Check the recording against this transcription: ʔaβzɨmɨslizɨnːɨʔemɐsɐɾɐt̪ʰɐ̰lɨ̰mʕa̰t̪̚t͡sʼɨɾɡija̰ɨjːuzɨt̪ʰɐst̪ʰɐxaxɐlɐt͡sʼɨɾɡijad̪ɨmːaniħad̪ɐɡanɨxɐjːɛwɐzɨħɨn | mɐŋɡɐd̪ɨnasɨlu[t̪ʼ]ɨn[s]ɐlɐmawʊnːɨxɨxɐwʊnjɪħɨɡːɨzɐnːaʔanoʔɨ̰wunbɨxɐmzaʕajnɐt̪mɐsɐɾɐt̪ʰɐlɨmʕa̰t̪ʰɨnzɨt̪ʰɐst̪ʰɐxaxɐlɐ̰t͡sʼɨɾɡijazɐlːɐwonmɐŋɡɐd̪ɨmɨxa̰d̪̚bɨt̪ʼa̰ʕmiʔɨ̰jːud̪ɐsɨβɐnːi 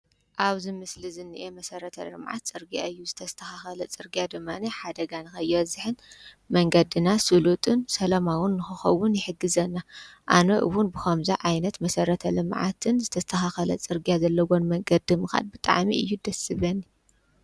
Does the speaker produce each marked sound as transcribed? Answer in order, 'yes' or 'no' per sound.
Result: yes, yes

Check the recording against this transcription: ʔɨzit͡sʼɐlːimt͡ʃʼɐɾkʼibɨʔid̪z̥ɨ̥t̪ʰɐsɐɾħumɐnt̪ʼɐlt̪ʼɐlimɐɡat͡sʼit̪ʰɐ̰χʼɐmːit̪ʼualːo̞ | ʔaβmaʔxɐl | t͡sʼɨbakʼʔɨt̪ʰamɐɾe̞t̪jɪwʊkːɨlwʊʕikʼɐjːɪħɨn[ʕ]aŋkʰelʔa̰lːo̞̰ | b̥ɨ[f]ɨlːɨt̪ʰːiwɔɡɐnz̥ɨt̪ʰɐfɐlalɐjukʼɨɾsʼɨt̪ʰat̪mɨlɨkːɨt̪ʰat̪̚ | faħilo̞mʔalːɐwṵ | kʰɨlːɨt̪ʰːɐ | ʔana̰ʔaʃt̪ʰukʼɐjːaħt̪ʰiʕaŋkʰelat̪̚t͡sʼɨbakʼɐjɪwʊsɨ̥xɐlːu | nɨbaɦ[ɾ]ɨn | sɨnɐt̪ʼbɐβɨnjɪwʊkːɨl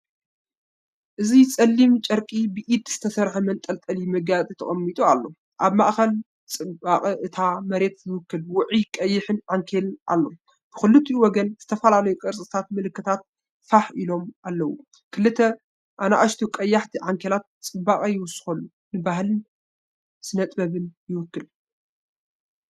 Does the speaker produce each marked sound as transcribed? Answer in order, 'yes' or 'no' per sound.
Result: yes, no, no

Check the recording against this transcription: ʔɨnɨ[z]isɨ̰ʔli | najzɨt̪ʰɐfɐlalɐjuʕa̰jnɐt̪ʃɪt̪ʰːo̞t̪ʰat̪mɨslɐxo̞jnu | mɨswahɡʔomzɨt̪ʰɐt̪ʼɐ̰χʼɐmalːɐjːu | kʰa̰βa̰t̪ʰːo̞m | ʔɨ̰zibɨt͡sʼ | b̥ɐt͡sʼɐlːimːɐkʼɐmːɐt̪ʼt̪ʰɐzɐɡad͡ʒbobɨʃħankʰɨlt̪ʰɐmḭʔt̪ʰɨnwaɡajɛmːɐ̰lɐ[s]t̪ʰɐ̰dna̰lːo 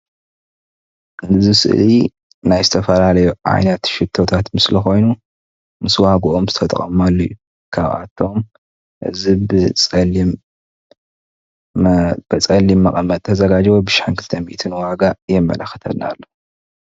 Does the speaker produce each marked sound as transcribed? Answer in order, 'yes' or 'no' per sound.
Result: yes, no

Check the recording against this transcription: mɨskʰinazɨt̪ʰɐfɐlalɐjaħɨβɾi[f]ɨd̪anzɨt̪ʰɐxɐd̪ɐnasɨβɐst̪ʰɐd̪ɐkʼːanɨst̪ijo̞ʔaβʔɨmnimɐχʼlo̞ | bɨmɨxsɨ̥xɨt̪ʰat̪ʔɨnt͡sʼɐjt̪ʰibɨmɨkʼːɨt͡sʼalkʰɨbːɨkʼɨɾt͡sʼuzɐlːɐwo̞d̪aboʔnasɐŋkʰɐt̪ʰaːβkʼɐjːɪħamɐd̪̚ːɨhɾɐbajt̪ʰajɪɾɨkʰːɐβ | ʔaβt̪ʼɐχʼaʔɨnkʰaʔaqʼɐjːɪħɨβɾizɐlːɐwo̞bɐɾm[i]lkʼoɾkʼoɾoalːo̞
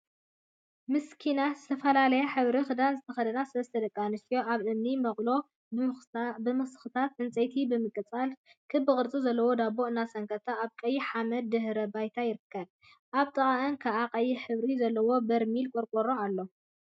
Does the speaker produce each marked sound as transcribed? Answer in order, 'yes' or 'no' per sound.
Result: no, yes

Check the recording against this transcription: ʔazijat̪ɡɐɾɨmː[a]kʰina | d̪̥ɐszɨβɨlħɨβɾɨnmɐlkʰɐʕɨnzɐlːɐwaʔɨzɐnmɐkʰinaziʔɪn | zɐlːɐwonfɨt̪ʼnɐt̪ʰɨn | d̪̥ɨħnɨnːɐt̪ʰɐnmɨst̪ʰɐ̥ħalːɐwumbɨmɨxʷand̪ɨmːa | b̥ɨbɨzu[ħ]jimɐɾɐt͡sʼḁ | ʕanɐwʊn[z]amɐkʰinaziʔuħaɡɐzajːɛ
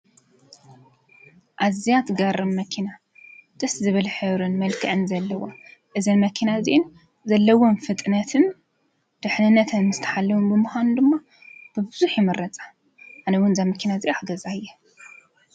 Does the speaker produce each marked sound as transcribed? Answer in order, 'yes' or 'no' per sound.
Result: no, yes, yes

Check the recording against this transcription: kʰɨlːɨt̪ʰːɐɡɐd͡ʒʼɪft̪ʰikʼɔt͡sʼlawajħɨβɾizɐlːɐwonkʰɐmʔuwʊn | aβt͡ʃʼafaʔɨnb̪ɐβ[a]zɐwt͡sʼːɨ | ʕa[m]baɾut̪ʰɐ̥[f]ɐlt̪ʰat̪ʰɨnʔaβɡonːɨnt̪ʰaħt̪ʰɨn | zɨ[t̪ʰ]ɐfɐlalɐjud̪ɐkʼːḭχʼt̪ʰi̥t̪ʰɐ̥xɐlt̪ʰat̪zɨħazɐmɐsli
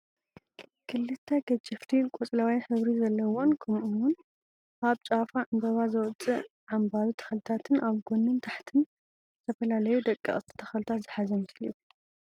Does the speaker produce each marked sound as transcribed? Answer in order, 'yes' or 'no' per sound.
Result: yes, yes, no, yes

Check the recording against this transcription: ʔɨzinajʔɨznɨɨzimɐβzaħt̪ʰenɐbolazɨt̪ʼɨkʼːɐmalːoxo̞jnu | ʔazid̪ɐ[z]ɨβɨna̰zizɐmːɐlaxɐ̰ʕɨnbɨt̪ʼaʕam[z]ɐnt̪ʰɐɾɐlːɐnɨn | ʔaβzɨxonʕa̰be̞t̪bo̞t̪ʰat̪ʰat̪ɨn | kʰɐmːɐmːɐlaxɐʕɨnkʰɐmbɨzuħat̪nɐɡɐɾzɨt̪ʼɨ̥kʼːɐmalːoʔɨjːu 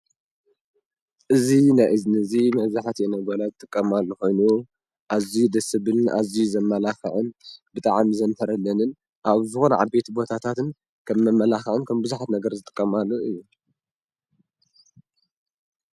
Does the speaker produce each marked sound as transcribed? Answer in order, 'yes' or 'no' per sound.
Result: no, yes

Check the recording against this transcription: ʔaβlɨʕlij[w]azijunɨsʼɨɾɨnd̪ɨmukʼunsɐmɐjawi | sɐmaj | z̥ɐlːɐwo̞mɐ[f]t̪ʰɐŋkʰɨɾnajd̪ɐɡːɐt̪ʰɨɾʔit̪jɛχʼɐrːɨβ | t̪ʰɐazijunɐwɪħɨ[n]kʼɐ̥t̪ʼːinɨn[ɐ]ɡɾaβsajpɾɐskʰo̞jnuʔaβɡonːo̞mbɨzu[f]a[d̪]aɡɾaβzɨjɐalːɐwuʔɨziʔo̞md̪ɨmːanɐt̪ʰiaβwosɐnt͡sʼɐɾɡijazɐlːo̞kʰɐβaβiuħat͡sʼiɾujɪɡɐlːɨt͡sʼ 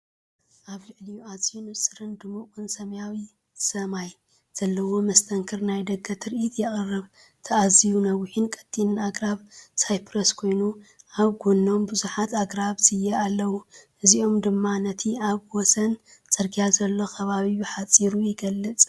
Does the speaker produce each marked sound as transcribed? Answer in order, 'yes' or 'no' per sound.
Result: no, no, yes, no, no, no

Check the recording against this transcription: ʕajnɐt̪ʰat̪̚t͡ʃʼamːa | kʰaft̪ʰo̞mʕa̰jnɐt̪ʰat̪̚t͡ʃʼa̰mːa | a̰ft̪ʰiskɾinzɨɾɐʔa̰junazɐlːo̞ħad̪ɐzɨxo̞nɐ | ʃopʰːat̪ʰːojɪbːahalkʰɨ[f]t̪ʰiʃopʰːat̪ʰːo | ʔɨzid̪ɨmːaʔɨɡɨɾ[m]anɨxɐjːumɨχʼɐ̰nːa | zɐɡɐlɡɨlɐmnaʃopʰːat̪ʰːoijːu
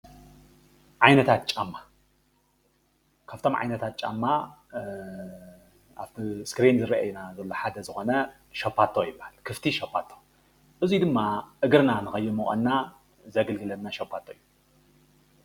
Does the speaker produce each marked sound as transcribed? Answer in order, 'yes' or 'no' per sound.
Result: yes, no

